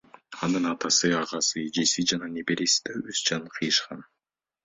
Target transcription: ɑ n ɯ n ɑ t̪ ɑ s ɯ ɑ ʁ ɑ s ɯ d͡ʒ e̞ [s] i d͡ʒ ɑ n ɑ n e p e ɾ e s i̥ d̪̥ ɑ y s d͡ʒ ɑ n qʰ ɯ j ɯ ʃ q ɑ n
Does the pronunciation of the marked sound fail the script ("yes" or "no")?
no